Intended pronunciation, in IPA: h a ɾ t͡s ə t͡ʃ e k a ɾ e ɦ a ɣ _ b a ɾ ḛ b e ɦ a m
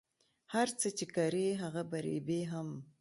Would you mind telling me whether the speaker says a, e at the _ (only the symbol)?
a